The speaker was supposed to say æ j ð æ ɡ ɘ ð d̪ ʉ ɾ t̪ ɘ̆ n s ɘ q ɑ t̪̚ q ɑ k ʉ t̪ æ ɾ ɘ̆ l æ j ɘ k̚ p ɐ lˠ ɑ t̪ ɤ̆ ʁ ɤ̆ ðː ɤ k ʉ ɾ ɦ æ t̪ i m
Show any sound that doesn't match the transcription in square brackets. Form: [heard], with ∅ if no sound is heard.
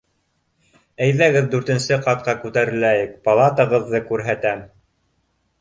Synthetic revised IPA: æ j ð æ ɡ ɘ ð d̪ ʉ ɾ t̪ ɘ̆ n s ɘ q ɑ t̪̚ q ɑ k ʉ t̪ æ ɾ ɘ̆ l æ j ɘ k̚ p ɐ lˠ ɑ t̪ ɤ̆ ʁ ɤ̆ ðː ɤ k ʉ ɾ ɦ æ t̪ [æ] m